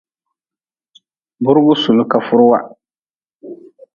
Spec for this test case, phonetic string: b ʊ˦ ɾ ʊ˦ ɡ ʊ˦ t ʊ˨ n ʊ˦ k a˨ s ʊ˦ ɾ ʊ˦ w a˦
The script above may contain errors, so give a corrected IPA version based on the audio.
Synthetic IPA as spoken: b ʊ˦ ɾ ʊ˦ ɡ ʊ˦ s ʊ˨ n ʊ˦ k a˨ f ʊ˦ ɾ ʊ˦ w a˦